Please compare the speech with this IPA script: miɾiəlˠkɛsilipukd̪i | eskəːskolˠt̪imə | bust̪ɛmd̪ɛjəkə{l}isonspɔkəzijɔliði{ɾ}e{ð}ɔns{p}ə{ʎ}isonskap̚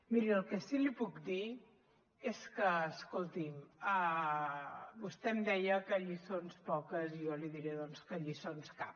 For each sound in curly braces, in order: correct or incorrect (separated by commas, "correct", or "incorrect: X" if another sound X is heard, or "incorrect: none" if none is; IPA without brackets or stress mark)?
incorrect: ʎ, correct, correct, incorrect: k, correct